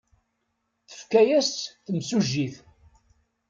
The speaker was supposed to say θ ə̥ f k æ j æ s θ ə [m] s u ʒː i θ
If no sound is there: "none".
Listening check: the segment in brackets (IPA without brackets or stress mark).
m